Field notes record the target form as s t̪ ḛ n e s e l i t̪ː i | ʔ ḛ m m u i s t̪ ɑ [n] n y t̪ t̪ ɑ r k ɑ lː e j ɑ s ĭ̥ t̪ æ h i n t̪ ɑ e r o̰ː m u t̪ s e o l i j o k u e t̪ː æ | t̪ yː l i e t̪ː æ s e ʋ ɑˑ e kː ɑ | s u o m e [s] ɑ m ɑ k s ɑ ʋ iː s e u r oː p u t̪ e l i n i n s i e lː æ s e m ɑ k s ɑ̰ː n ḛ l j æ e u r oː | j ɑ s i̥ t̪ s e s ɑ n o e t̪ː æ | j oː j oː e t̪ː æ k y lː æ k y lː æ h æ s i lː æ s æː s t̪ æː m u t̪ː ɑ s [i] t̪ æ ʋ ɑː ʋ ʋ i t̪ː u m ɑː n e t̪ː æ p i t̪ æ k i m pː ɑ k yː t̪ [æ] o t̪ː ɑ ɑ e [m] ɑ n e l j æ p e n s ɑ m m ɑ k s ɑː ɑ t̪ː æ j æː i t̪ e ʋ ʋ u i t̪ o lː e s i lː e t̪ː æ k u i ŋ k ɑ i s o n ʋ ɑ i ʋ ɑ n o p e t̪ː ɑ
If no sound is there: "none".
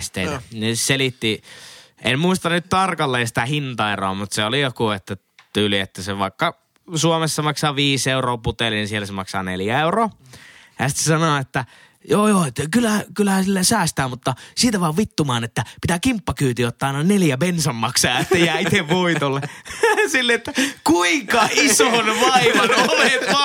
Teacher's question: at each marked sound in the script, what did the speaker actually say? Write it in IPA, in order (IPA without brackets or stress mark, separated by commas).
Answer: n, sː, iː, i, n